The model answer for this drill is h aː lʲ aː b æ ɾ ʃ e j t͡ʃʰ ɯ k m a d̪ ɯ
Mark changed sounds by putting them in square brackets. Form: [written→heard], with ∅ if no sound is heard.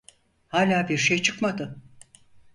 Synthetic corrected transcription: h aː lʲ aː b [æ→i] ɾ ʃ e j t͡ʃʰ ɯ k m a d̪ ɯ